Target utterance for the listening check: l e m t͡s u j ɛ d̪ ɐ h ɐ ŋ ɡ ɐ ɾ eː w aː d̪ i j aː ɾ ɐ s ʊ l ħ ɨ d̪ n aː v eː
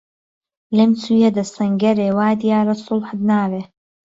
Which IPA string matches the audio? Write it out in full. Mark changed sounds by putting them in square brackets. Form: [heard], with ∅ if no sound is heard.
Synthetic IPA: l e m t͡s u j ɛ d̪ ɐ [s] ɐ ŋ ɡ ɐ ɾ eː w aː d̪ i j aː ɾ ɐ s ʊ l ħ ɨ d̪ n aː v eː